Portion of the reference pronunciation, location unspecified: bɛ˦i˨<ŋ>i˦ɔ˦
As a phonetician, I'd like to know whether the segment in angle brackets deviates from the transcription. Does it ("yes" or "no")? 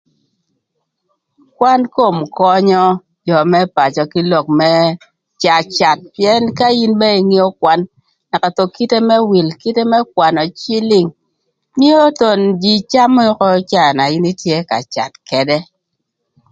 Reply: no